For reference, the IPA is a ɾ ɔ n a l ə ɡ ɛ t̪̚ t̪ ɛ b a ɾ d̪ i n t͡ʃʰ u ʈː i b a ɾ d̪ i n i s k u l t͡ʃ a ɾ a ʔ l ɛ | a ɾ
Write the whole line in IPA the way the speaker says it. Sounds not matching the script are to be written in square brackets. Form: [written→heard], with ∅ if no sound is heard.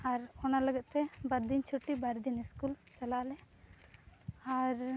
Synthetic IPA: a ɾ ɔ n a l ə ɡ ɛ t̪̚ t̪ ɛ b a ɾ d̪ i n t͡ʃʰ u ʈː i b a ɾ d̪ i n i s k u l t͡ʃ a [ɾ→l] a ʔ l ɛ | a ɾ